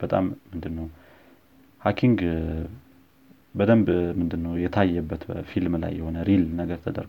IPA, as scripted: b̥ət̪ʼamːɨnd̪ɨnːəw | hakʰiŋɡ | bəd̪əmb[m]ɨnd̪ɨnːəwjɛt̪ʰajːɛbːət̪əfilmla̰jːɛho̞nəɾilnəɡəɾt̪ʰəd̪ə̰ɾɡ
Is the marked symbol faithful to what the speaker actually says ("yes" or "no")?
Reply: yes